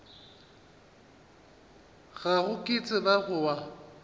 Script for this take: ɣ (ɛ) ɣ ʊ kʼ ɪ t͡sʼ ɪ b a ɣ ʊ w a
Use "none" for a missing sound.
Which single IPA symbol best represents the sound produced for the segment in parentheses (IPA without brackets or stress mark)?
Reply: a